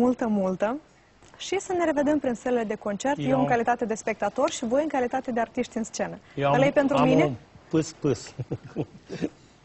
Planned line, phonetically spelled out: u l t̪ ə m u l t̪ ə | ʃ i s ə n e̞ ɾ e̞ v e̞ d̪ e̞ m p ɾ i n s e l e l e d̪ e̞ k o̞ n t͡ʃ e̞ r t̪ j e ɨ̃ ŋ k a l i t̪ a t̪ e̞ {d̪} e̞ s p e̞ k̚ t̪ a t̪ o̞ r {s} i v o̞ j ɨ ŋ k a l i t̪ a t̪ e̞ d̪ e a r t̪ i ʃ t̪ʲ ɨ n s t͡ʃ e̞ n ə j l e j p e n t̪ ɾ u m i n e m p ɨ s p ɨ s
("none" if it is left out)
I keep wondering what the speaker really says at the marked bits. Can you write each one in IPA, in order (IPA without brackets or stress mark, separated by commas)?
d̪, ʃ